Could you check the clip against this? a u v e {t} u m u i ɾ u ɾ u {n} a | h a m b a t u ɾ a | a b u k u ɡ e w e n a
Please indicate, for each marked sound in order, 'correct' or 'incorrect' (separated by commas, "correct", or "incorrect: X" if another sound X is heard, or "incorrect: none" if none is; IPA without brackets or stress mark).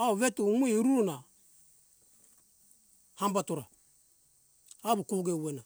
correct, correct